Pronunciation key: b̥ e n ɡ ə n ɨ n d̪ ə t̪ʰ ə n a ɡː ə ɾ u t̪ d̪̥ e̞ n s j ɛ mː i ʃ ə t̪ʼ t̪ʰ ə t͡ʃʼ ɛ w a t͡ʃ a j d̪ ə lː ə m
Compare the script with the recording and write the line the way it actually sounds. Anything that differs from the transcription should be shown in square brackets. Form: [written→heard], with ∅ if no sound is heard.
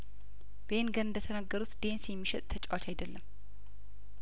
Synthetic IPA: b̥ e n ɡ ə n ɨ n d̪ ə t̪ʰ ə n a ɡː ə ɾ u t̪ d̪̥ e̞ n s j ɛ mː i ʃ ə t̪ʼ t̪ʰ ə t͡ʃʼ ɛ w a t͡ʃ a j d̪ ə lː ə m